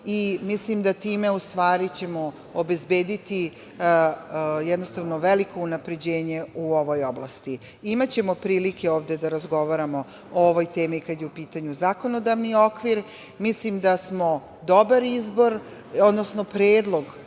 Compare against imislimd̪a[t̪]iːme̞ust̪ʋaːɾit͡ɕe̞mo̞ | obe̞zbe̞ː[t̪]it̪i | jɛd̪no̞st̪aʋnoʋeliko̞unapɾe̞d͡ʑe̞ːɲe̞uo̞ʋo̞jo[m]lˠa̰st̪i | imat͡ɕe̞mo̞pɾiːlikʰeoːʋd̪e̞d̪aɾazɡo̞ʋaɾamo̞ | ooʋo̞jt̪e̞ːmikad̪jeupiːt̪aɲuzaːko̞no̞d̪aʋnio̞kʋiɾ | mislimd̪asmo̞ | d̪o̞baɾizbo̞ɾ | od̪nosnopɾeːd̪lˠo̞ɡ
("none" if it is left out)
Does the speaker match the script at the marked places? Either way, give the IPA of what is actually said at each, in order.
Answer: t̪, d̪, b

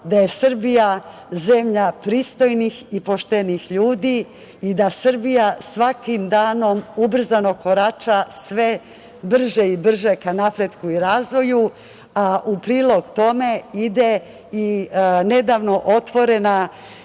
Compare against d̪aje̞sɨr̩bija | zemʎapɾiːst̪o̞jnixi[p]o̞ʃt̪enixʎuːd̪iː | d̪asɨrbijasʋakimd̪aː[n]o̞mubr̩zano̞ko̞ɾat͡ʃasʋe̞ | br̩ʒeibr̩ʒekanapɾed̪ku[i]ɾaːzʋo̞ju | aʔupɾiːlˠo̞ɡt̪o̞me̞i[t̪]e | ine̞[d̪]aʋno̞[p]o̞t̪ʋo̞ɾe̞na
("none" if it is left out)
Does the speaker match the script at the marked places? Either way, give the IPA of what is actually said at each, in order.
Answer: p, n, i, d̪, d̪, ʔ

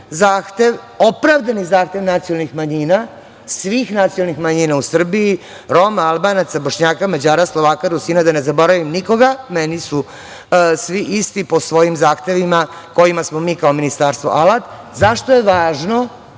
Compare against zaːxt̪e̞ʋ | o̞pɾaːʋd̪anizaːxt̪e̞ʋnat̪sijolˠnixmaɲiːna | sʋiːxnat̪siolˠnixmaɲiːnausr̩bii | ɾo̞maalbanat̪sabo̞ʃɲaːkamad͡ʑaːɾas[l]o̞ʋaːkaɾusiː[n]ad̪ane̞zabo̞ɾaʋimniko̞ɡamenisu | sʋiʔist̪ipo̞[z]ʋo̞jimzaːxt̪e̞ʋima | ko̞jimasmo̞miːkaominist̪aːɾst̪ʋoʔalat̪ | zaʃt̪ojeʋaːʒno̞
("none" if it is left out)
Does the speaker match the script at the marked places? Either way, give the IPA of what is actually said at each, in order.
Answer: l, n, s

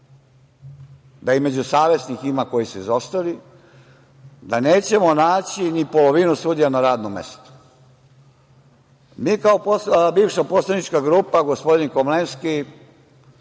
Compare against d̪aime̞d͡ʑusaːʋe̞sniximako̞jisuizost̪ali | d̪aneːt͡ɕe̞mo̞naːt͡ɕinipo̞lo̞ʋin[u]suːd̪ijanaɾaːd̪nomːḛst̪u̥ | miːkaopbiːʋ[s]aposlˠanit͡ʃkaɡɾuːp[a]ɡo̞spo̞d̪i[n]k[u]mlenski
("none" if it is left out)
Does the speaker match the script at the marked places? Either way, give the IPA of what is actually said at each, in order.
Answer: u, ʃ, a, n, o

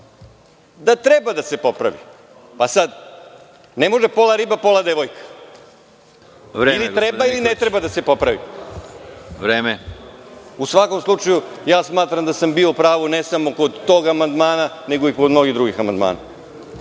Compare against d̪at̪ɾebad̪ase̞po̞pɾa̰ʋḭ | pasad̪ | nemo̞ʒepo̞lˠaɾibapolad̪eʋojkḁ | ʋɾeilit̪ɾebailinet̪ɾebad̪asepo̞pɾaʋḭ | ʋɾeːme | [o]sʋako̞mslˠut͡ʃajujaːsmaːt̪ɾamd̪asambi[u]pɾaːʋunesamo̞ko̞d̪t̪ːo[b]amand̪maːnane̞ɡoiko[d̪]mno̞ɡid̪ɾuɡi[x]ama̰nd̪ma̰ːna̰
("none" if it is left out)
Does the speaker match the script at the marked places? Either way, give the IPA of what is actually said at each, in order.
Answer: u, o, ɡ, d̪, x

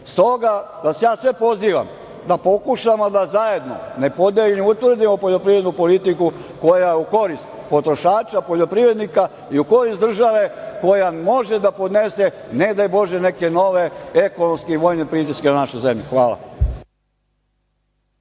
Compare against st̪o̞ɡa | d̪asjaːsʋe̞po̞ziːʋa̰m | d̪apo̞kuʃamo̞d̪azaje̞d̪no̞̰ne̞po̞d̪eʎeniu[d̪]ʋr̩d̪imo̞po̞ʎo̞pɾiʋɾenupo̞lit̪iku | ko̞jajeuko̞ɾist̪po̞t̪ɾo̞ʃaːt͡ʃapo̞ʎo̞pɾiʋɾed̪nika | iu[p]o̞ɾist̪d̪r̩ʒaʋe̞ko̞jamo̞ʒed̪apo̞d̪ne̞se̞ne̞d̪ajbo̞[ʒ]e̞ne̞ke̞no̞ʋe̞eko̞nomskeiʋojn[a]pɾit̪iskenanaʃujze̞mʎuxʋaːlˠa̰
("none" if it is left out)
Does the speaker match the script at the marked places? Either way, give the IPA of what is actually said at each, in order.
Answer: t̪, k, ʒ, e

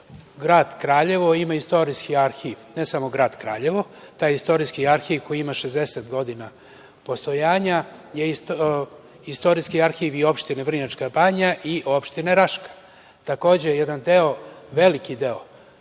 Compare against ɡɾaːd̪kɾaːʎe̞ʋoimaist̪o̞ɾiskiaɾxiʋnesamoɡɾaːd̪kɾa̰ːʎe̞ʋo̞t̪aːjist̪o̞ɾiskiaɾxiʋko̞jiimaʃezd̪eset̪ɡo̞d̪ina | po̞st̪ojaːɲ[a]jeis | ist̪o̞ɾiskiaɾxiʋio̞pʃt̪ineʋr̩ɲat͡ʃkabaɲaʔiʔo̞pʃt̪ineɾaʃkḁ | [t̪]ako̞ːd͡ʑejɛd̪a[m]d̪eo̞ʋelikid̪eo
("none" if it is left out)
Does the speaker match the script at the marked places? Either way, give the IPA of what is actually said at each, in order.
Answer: a, t̪, n

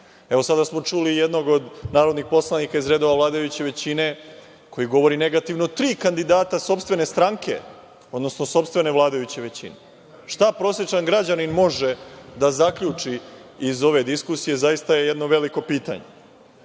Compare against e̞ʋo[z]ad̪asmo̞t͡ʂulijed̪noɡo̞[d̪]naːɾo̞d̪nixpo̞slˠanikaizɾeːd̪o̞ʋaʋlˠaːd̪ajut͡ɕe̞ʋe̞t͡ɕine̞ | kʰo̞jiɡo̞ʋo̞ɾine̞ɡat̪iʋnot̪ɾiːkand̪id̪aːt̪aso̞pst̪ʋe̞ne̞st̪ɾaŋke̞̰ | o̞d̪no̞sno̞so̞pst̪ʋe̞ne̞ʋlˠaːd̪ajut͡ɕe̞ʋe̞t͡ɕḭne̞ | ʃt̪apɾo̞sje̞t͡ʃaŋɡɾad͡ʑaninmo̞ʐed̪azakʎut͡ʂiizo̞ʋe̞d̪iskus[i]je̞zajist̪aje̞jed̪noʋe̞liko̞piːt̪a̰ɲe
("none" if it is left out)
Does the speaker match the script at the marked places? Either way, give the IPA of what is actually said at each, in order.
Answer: s, d̪, i

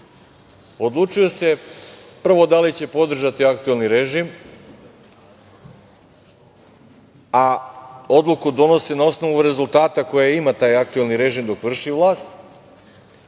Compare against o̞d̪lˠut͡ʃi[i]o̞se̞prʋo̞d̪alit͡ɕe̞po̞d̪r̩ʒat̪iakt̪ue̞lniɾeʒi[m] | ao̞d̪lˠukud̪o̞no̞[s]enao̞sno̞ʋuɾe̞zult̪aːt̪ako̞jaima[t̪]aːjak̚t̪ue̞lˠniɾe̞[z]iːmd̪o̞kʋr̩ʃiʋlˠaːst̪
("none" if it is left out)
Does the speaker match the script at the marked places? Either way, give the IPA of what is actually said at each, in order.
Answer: j, m, s, t̪, ʒ

